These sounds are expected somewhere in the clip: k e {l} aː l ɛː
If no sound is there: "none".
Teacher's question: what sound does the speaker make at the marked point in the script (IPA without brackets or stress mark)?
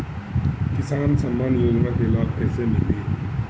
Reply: l